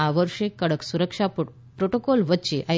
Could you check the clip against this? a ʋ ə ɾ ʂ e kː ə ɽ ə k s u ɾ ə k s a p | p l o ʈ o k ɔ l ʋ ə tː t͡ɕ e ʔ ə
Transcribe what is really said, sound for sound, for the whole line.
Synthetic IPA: a ʋ ə ɾ ʂ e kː ə ɽ ə k s u ɾ ə k ʂ a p | p ɾ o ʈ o k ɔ l ʋ ə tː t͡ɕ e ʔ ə